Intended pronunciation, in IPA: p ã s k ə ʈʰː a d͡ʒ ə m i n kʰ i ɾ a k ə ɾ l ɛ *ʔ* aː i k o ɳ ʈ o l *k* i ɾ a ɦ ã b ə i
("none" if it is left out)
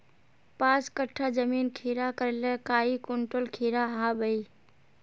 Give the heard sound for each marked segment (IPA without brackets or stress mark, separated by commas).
k, kʰ